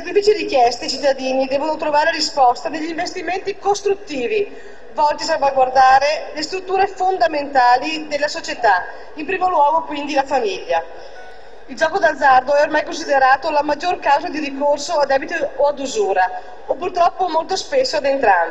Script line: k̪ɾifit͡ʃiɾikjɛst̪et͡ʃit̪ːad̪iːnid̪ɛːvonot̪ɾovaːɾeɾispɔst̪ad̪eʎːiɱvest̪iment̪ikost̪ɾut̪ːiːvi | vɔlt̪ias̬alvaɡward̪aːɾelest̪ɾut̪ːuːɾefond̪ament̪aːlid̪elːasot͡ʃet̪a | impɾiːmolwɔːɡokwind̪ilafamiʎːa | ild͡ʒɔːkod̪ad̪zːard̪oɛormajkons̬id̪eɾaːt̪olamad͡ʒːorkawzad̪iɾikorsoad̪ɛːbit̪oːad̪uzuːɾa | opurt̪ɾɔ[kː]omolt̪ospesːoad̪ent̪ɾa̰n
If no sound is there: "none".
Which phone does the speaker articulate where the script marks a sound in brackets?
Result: pː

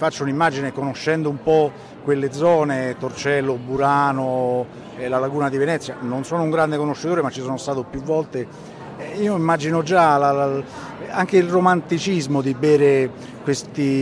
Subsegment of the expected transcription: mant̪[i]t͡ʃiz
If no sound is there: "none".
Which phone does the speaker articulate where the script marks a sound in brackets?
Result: i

